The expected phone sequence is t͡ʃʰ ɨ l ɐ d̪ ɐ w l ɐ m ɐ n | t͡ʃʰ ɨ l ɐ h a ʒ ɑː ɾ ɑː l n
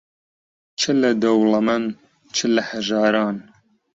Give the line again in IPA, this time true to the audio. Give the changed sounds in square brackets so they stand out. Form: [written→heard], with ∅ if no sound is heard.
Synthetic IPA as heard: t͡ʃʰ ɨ l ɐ d̪ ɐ w l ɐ m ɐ n | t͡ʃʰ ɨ l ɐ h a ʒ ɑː ɾ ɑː [l→∅] n